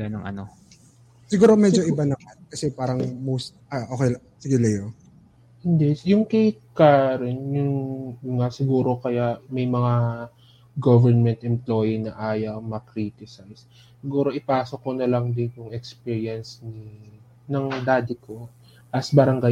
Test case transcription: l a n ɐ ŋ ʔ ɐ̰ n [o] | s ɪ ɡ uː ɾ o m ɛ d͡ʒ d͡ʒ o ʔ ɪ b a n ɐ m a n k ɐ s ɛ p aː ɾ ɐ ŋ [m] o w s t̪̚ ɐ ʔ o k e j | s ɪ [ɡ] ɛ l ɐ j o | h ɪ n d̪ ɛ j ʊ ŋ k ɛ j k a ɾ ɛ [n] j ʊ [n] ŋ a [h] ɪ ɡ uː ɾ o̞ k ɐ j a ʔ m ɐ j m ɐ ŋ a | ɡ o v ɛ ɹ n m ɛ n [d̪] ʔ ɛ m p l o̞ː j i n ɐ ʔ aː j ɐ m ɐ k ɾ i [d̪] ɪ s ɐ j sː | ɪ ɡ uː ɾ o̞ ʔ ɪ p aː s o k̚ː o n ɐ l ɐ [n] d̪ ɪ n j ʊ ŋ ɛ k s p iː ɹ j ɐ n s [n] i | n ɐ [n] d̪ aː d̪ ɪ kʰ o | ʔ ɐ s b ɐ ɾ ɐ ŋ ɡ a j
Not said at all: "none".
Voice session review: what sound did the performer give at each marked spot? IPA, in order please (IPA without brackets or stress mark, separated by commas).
o, m, ɡ, n, ŋ, s, t̪, t̪, ŋ, n, ŋ